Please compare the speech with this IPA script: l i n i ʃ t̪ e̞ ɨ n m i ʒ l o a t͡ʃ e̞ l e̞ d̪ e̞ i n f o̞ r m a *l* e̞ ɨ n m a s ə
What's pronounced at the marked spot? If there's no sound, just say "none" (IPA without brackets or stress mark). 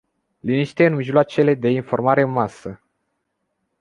ɾ